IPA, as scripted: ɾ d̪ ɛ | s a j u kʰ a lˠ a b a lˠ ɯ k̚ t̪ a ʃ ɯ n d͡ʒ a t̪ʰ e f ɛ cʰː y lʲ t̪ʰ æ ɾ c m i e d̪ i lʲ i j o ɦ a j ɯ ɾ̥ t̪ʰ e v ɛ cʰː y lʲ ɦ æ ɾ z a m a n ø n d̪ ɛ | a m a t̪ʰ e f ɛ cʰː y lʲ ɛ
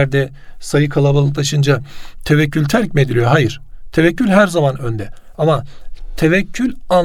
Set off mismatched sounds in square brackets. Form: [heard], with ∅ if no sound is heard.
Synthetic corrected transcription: ɾ d̪ ɛ | s a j [ɯ] kʰ a lˠ a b a lˠ ɯ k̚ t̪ a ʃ ɯ n d͡ʒ a t̪ʰ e [v] ɛ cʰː y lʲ t̪ʰ æ ɾ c m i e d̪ i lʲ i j o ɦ a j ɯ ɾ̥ t̪ʰ e v ɛ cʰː y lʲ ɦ æ ɾ z a m a n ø n d̪ ɛ | a m a t̪ʰ e [v] ɛ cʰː y lʲ [a]